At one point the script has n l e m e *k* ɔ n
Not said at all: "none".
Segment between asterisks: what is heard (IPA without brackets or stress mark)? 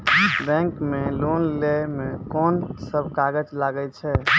k